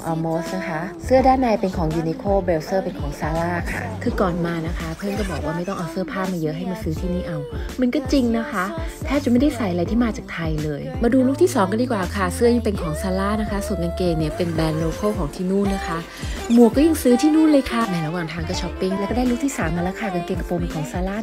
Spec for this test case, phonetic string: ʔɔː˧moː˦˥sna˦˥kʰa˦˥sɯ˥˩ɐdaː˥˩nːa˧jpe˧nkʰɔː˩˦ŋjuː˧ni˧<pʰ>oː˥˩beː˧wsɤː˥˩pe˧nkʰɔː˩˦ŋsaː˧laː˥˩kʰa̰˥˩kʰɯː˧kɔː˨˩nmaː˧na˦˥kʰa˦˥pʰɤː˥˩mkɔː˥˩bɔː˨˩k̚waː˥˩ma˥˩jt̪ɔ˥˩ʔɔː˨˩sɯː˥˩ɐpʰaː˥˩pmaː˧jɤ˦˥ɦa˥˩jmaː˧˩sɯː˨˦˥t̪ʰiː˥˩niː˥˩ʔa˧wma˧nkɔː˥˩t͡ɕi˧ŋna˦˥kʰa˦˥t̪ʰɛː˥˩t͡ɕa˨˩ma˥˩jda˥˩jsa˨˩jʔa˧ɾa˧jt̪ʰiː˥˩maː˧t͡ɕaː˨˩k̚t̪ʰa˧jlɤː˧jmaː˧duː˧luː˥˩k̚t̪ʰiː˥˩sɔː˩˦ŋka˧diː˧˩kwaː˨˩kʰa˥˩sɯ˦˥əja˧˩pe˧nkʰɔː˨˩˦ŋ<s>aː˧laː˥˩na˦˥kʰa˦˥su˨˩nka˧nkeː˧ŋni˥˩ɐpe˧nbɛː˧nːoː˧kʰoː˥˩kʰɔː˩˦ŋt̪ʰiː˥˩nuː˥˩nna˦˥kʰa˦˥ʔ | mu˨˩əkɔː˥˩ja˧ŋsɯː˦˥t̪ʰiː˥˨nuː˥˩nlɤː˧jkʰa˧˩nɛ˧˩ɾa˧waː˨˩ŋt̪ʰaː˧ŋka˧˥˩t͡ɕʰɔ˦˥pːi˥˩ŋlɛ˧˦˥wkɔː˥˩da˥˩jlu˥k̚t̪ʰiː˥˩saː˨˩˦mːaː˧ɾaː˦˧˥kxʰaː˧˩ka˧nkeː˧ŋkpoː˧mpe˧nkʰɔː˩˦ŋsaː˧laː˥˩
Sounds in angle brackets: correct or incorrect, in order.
incorrect: kʰ, correct

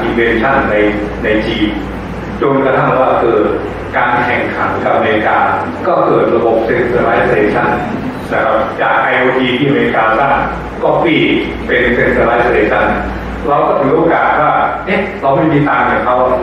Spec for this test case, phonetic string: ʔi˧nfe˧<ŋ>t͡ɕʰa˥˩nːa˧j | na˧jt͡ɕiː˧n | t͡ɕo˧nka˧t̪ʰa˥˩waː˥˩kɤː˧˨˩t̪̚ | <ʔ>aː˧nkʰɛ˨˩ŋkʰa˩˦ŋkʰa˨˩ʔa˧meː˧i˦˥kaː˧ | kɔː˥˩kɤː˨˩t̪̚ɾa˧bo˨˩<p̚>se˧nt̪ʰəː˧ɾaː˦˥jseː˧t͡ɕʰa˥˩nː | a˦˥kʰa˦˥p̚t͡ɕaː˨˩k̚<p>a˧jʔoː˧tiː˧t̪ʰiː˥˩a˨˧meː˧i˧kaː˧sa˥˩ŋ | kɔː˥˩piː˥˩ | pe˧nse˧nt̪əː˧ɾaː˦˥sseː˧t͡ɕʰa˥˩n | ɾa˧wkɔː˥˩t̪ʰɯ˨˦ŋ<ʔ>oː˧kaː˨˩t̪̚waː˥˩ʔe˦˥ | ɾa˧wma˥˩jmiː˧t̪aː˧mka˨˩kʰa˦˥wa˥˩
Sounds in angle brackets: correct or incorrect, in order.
incorrect: n, incorrect: k, correct, incorrect: ʔ, correct

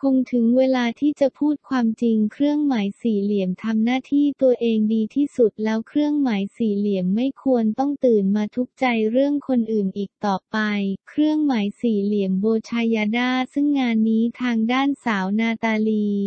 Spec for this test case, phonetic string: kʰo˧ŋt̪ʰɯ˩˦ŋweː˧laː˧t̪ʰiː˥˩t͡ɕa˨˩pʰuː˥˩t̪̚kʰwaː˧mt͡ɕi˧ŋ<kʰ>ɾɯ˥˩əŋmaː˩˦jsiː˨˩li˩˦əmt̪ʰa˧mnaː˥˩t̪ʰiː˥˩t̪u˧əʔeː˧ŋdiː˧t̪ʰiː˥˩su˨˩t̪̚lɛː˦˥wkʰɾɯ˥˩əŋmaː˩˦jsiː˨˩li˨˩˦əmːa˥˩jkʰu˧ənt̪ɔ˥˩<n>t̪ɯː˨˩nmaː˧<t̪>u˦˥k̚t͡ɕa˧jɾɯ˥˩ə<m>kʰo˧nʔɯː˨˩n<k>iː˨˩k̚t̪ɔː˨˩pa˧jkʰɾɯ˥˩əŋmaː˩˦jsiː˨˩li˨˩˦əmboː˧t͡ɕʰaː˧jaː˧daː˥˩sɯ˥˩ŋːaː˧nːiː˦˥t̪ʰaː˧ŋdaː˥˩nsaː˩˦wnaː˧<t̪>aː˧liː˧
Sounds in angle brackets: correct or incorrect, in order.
correct, incorrect: ŋ, incorrect: t̪ʰ, incorrect: ŋ, incorrect: ʔ, correct

